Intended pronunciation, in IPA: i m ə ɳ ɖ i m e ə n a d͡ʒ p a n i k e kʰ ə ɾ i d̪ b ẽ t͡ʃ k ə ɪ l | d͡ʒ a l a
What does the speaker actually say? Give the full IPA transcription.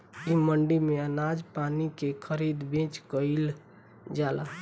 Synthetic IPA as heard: i m ə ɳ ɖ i m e ə n a d͡ʒ p a n i k e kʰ ə ɾ i d̪ b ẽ t͡ʃ k ə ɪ l | d͡ʒ a l a